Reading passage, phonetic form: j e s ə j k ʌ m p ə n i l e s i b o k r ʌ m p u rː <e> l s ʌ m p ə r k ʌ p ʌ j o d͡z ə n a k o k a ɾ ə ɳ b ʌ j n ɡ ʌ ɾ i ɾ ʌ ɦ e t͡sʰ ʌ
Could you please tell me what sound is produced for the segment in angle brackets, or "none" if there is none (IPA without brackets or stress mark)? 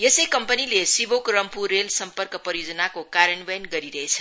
e